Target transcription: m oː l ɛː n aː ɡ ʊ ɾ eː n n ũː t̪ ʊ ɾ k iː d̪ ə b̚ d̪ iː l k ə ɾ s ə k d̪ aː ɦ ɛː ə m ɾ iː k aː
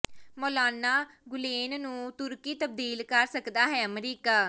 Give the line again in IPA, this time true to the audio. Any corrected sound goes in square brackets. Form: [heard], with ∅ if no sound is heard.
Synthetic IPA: m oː l [aː] n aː ɡ ʊ [l] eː n n ũː t̪ ʊ ɾ k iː [t̪] ə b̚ d̪ iː l k ə ɾ s ə k d̪ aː ɦ ɛː ə m ɾ iː k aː